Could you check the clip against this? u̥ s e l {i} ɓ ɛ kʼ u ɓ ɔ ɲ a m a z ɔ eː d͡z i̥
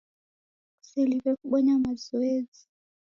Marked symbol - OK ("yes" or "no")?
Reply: yes